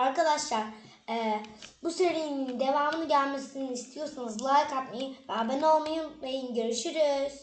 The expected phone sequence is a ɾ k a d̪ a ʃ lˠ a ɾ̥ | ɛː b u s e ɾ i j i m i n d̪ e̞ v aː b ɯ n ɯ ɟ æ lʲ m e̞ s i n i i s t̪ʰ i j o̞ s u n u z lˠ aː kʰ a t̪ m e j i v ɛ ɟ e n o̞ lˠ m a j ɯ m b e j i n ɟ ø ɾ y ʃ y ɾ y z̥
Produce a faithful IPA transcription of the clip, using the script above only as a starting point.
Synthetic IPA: a ɾ k a d̪ a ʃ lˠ a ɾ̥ | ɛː b u s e ɾ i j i n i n d̪ e̞ v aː m ɯ n ɯ ɟ æ lʲ m e̞ s i n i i s t̪ʰ i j o̞ s u n u z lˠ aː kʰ a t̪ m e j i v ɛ b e n o̞ lˠ m a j ɯ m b e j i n ɟ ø ɾ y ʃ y ɾ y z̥